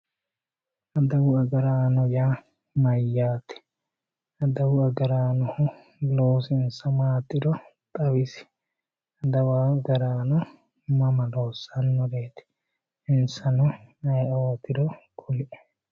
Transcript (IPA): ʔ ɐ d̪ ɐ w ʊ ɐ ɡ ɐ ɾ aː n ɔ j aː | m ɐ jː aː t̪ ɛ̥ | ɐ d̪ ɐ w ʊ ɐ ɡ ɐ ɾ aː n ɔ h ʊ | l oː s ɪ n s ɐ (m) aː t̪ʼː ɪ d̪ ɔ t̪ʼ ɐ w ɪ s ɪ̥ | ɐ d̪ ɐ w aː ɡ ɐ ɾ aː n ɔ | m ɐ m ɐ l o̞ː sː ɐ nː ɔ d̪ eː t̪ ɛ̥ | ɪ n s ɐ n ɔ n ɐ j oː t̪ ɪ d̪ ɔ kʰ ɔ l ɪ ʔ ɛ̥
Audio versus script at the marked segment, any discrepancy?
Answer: no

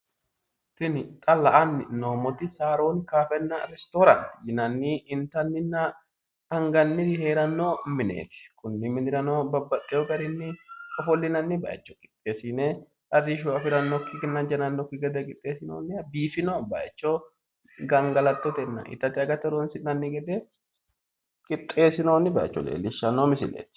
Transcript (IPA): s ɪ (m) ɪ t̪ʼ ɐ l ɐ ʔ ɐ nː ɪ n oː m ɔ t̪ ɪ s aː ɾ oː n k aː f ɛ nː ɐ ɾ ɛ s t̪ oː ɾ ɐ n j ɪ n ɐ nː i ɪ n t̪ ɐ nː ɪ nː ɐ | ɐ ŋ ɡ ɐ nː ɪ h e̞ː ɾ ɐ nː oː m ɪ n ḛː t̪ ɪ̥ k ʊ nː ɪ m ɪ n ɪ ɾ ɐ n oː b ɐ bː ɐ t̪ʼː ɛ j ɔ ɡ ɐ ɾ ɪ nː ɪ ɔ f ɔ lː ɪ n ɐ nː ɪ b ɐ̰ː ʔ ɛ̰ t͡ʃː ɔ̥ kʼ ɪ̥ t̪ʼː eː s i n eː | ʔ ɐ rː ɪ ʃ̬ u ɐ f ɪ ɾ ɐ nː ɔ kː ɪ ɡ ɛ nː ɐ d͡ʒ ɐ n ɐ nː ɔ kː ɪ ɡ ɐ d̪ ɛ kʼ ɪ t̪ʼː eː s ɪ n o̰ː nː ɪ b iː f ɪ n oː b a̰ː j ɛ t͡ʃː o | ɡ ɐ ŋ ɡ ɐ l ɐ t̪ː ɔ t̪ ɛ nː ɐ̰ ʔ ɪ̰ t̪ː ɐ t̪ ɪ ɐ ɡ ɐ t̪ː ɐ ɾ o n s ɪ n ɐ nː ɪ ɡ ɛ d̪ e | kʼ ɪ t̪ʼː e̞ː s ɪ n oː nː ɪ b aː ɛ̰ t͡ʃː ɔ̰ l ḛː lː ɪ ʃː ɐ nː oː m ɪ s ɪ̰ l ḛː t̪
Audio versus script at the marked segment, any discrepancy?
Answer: yes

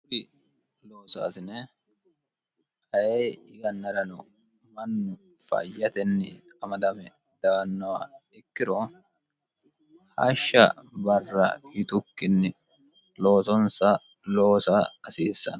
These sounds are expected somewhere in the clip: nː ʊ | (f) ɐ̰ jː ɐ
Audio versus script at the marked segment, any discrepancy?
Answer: no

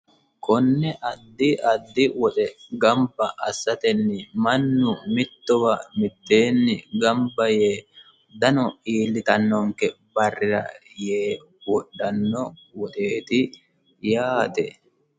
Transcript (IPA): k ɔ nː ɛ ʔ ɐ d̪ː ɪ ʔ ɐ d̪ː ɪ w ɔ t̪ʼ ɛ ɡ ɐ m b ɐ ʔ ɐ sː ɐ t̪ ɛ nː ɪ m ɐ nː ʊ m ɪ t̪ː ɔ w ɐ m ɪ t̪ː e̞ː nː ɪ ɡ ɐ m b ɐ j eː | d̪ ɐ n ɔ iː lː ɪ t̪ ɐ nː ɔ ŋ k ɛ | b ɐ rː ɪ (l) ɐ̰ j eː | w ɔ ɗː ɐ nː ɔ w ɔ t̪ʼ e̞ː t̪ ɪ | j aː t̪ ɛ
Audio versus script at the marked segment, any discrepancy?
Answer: yes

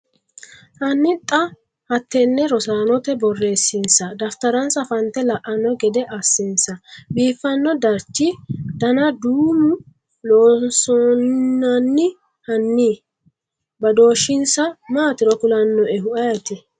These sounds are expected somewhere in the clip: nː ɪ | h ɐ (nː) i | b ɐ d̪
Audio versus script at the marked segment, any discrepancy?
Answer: no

